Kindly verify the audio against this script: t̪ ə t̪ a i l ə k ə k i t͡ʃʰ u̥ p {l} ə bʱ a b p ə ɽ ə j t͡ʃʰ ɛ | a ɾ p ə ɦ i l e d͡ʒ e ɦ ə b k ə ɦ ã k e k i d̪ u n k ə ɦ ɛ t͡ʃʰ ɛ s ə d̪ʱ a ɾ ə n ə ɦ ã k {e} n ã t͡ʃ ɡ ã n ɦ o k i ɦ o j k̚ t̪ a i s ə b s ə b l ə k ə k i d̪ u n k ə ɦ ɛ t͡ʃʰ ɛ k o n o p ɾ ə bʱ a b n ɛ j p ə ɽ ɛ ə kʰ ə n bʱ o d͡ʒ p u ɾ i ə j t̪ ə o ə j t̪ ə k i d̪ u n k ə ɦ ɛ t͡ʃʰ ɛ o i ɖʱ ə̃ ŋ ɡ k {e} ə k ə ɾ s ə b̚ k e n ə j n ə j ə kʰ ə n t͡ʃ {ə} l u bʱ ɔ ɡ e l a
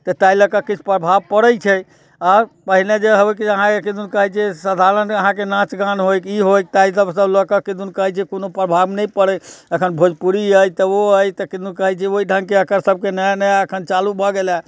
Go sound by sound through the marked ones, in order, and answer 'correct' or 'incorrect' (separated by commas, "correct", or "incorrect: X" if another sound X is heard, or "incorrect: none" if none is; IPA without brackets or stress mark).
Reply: incorrect: ɾ, correct, correct, incorrect: a